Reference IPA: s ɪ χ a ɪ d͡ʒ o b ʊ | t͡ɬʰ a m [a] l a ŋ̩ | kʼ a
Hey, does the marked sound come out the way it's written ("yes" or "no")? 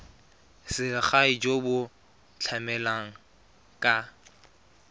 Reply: no